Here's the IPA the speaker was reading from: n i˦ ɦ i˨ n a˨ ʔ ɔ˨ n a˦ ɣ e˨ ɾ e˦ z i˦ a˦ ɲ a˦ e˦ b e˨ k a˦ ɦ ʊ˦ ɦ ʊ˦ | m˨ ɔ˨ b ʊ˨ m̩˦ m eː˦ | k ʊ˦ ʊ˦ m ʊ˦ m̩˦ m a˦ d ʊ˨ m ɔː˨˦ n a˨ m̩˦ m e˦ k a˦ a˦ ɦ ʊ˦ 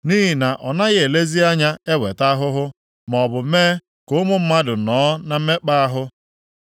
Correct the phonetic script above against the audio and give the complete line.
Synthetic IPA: n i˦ ɦ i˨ n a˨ ʔ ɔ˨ n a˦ ɣ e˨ l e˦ z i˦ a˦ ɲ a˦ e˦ w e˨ t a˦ ɦ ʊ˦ ɦ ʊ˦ | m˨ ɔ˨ b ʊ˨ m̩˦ m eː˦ | k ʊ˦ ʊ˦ m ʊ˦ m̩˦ m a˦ d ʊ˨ n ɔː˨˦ n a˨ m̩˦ m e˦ k͡p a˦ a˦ ɦ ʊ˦

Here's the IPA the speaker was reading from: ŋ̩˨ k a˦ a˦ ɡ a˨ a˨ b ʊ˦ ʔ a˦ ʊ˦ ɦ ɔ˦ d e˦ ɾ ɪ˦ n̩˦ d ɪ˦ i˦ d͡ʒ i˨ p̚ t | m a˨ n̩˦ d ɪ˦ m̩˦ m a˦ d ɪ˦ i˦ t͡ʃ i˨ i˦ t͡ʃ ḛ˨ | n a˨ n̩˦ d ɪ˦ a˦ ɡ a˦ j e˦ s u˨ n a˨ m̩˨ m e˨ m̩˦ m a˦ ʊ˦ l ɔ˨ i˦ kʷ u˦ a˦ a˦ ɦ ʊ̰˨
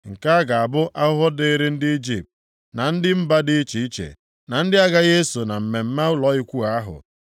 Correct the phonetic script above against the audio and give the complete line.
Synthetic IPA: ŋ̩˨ k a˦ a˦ ɡ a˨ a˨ b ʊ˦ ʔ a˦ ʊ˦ ɦ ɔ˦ d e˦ ɾ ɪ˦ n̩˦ d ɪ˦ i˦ d͡ʒ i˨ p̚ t | n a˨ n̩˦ d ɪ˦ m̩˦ b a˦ d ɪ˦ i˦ t͡ʃ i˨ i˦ t͡ʃ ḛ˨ | n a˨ n̩˦ d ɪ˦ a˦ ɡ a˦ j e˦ s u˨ n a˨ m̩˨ m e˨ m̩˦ m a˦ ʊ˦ l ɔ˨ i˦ kʷ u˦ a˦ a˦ ɦ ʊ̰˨

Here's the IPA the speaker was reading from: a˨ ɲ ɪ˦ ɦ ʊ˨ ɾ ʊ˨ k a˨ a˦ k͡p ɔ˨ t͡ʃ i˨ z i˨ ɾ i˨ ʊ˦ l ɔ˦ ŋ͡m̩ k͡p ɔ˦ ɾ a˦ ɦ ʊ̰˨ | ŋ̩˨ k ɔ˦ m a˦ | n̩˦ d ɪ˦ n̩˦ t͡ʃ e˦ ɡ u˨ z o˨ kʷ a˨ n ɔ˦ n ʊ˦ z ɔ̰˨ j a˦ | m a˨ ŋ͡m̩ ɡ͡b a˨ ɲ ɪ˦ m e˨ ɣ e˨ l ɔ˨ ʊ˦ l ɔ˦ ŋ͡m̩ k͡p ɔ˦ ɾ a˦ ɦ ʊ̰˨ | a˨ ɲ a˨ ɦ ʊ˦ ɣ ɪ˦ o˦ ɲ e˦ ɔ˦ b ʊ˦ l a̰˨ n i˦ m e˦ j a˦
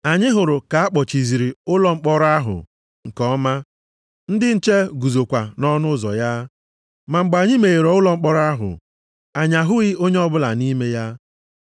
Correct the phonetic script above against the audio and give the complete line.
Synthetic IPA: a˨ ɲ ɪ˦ ɦ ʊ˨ ɾ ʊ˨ k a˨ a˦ k͡p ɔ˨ t͡ʃ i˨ z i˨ ɾ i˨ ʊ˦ l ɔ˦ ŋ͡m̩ k͡p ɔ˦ ɾ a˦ ɦ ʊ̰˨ | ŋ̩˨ k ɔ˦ m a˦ | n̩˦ d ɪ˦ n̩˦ t͡ʃ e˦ ɡ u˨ z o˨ kʷ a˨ n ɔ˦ n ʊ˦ z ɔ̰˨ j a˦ | m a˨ ŋ͡m̩ ɡ͡b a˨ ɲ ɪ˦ m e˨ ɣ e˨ ɾ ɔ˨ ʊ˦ l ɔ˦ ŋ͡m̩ k͡p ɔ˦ ɾ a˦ ɦ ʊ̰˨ | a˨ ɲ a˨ ɦ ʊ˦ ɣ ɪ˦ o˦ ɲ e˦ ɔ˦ b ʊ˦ l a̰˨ n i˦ m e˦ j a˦

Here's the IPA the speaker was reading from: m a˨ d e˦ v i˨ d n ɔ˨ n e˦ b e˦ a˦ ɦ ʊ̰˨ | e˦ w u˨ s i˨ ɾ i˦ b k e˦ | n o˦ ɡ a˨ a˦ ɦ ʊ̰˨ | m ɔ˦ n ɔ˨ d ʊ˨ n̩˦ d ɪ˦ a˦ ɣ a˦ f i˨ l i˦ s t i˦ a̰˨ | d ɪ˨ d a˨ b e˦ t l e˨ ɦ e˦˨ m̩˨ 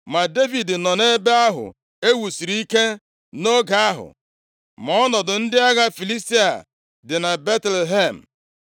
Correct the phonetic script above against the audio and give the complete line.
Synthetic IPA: m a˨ d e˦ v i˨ d n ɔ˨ n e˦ b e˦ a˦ ɦ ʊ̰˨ | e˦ w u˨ s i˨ ɾ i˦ k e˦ | n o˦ ɡ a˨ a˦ ɦ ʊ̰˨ | m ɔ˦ n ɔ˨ d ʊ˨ n̩˦ d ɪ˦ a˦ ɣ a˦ f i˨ l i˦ s t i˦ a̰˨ | d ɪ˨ n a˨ b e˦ t l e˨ ɦ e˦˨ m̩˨

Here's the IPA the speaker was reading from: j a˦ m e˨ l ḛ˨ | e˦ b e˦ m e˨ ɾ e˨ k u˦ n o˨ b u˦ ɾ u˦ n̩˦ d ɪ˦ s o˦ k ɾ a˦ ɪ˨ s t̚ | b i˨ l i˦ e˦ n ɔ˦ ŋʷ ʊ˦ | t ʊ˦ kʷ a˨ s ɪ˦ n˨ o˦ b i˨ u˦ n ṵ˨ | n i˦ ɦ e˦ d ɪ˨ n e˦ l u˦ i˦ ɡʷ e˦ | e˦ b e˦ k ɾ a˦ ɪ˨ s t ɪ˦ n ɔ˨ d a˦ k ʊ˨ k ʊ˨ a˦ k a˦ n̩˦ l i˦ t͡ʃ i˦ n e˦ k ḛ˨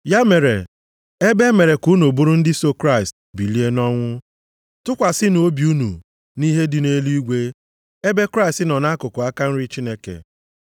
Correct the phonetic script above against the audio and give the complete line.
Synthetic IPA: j a˦ m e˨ ɾ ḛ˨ | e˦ b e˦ m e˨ ɾ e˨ k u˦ n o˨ b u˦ ɾ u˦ n̩˦ d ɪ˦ s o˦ k ɾ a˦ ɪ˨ s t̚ | b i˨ l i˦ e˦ n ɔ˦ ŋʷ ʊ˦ | t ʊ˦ kʷ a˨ s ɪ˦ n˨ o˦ b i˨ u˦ n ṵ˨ | n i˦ ɦ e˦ d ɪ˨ n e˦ l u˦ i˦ ɡʷ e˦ | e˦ b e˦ k ɾ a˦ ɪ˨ s t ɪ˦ n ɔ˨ n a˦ k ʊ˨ k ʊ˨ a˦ k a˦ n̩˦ ɾ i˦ t͡ʃ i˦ n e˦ k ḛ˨

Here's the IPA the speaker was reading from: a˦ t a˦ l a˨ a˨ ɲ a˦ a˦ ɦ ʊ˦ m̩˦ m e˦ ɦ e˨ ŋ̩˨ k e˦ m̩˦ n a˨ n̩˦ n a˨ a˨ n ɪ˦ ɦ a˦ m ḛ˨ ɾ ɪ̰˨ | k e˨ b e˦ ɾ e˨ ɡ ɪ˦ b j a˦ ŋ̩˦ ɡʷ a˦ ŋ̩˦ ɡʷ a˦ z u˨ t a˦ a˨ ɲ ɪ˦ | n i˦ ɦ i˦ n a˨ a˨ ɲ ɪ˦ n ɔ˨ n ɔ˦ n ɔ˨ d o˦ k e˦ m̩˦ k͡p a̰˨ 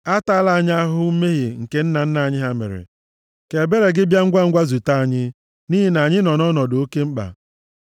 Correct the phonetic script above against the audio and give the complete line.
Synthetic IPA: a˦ t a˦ l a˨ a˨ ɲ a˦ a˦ ɦ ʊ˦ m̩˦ m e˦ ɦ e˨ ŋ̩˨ k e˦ n̩˦ n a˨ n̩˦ n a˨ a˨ ɲ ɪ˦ ɦ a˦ m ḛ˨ ɾ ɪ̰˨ | k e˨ b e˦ ɾ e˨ ɡ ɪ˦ b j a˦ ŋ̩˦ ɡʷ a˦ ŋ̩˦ ɡʷ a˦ z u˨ t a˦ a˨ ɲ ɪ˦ | n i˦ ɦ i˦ n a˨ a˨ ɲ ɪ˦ n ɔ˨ n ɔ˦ n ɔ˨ d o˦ k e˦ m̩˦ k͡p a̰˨

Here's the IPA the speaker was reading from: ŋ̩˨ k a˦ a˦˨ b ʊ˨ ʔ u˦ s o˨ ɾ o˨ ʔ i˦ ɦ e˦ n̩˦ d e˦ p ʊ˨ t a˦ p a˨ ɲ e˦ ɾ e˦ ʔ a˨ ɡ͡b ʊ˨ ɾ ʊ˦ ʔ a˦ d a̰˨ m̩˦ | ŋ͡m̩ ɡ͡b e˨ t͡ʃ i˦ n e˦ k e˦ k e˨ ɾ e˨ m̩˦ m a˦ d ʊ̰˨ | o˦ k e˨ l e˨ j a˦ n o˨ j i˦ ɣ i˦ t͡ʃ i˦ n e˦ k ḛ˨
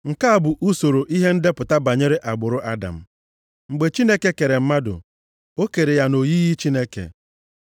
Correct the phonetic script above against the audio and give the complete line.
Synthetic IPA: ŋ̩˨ k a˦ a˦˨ b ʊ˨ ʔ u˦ s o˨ ɾ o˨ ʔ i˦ ɦ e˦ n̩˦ d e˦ p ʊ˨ t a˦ b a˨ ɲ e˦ ɾ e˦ ʔ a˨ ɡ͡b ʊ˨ ɾ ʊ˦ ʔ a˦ d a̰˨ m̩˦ | ŋ͡m̩ ɡ͡b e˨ t͡ʃ i˦ n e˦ k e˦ k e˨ ɾ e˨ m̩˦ m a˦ d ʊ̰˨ | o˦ k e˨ ɾ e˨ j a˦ n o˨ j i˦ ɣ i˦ t͡ʃ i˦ n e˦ k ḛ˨

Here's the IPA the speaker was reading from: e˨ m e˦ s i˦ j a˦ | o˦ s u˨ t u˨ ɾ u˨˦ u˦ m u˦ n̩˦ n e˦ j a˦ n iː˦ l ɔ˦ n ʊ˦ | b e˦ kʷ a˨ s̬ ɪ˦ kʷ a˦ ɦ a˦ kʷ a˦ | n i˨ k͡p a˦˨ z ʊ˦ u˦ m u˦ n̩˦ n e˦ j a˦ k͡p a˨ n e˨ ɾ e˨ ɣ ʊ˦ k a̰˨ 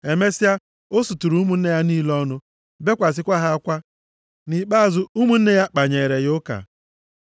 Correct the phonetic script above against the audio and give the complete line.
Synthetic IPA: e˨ m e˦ s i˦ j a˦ | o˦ s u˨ t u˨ ɾ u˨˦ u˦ m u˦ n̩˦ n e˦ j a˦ n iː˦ l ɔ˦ n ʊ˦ | b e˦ kʷ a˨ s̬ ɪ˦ kʷ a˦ ɦ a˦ kʷ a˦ | n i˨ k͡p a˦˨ z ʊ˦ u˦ m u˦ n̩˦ n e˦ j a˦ k͡p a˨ ɲ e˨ ɾ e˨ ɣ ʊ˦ k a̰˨

